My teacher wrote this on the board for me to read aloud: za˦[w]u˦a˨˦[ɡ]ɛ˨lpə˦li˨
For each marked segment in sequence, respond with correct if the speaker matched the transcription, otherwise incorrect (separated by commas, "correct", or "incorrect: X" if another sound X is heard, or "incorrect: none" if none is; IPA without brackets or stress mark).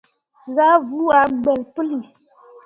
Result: incorrect: v, incorrect: ɡ͡b